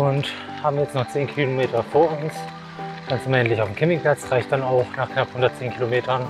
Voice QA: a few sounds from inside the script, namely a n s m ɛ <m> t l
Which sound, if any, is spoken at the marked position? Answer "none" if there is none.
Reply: n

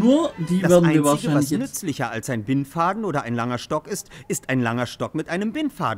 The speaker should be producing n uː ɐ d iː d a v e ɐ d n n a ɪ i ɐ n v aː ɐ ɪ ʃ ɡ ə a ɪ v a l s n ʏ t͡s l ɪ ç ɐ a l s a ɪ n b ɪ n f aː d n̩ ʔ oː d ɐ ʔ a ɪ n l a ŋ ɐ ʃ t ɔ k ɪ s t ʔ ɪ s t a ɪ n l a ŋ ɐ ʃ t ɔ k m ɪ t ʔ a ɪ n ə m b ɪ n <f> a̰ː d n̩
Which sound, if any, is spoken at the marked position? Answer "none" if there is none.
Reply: f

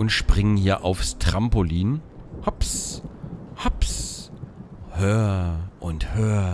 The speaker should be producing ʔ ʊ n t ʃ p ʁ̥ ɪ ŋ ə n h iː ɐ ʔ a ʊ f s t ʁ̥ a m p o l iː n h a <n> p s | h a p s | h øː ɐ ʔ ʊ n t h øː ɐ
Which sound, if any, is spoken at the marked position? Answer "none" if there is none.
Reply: none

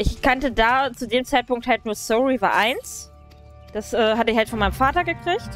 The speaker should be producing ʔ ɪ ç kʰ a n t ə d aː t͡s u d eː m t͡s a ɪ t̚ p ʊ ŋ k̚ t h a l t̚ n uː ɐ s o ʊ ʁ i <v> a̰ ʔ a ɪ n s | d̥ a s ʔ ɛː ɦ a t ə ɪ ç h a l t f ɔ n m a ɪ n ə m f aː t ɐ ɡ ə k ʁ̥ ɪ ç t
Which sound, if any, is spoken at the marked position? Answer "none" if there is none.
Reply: v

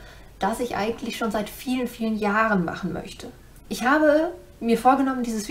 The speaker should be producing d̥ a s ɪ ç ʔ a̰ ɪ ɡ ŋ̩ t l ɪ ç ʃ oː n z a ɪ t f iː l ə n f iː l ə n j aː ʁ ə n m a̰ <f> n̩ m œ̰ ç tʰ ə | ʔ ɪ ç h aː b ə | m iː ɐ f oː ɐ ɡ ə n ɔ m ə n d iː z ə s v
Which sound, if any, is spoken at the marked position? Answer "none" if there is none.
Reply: χ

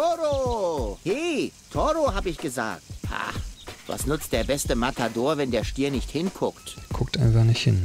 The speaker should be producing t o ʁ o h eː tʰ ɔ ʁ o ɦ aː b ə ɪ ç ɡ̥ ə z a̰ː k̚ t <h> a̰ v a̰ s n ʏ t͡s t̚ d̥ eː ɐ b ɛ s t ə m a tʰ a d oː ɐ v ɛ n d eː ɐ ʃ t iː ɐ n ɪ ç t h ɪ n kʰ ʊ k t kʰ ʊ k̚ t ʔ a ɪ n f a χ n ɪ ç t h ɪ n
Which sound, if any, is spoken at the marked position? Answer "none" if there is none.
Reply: h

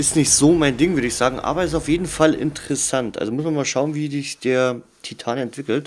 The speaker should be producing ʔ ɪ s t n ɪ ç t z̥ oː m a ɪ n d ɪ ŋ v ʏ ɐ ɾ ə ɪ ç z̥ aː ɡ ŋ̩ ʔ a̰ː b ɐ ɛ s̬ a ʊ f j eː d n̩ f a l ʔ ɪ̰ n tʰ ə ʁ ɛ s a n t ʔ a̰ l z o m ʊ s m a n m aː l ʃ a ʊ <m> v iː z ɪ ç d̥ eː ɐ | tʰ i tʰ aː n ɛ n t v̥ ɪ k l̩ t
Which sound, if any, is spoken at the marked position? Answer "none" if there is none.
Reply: n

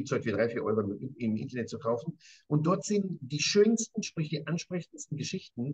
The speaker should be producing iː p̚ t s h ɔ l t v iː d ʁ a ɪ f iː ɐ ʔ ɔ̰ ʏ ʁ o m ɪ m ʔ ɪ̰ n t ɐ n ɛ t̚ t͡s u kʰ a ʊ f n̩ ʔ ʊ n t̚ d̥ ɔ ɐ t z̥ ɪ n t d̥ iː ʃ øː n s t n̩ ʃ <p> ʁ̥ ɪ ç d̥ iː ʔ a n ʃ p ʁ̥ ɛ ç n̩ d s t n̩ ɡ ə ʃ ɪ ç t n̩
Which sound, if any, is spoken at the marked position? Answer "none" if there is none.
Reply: p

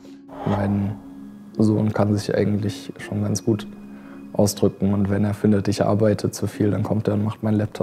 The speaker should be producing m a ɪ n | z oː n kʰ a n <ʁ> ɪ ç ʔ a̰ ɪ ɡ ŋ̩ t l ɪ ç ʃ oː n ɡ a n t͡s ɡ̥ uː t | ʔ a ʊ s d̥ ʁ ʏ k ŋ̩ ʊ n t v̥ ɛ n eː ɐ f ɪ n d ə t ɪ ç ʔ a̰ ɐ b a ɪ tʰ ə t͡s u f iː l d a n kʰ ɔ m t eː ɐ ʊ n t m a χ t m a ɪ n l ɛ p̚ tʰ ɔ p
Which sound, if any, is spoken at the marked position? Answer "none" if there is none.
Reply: z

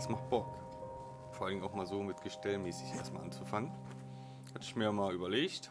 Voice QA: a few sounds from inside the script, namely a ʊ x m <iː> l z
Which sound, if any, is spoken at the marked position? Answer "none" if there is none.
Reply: aː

